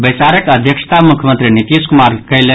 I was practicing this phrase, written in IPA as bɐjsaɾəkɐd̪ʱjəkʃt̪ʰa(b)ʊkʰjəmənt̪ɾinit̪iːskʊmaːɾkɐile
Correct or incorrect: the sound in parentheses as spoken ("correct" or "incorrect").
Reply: incorrect